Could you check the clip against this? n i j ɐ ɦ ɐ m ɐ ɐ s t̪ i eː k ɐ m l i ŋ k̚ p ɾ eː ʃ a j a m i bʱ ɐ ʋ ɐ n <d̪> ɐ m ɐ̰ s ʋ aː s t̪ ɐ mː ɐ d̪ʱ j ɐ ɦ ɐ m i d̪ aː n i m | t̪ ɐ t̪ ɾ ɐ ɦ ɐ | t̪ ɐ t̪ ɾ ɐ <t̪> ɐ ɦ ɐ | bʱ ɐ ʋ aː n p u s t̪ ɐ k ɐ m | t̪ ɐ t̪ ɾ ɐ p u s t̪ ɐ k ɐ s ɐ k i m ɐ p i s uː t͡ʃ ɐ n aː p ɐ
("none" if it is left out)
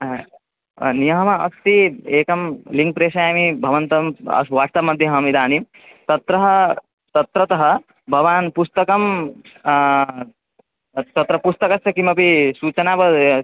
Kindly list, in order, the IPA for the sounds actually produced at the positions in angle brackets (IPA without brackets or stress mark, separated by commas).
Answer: t̪, t̪